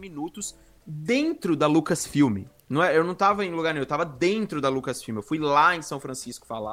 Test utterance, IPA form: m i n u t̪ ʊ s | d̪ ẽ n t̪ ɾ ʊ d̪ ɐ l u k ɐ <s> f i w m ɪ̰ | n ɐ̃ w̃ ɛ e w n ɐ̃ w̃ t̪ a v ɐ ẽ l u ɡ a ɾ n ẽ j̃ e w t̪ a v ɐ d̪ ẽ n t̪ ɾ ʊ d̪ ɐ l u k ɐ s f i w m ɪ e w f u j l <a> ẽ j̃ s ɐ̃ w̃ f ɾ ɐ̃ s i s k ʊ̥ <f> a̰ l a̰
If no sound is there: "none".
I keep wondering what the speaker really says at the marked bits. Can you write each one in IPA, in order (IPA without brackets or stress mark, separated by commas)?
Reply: s, a, f